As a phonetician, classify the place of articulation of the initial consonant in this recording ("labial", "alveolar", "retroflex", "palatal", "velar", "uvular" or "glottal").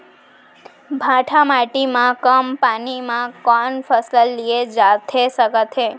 labial